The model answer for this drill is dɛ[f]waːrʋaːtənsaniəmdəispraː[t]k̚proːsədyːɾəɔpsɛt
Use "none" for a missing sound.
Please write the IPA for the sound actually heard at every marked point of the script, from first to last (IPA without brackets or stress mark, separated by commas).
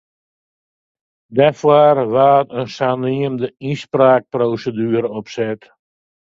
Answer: f, none